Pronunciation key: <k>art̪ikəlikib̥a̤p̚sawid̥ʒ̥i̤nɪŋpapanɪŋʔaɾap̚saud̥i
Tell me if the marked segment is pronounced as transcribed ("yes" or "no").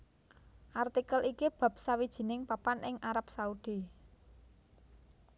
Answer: no